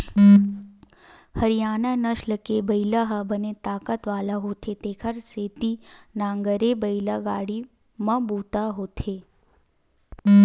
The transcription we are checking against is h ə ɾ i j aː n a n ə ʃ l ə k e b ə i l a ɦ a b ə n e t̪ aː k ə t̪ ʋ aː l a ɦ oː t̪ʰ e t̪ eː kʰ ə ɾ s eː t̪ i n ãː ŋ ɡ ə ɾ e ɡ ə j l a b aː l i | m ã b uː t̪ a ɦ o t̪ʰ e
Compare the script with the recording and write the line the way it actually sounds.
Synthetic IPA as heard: h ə ɾ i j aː n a n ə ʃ l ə k e b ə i l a ɦ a b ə n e t̪ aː k ə t̪ ʋ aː l a ɦ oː t̪ʰ e t̪ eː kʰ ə ɾ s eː t̪ i n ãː ŋ ɡ ə ɾ e b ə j l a ɡ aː ɽ i | m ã b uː t̪ a ɦ o t̪ʰ e